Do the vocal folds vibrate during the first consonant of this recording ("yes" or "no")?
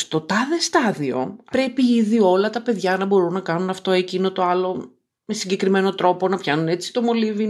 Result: no